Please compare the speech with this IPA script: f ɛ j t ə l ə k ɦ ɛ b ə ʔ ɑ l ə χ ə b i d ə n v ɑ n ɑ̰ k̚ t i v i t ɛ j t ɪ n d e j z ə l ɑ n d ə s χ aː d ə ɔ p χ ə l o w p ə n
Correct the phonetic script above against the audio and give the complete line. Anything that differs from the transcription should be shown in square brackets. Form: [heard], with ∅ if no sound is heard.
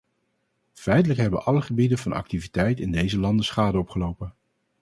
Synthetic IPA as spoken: f ɛ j t ə l ə k ɦ ɛ b ə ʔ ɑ l ə χ ə b i d ə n v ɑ n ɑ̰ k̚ t i v i t ɛ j t ɪ n d e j z ə l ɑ n d ə s χ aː d ə ɔ p χ ə l o w p ə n